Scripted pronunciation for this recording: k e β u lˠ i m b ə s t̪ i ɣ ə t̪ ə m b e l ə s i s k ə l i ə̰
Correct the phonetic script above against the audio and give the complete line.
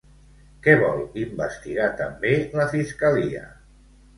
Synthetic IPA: k ɛ β ɔ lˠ i m b ə s t̪ i ɣ a t̪ ə m b e l ə f i s k ə l i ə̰